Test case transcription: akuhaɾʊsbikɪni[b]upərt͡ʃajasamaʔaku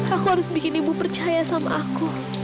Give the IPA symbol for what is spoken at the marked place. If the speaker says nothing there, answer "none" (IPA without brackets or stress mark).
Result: b